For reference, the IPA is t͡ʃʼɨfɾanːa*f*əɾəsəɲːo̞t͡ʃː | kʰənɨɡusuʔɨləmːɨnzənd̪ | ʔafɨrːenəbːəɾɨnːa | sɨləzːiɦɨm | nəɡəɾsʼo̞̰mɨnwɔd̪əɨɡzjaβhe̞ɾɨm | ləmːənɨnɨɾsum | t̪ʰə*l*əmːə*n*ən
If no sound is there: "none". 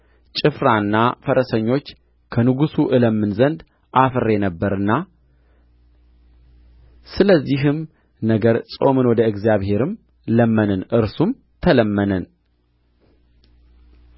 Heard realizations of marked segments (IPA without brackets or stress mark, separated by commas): f, l, n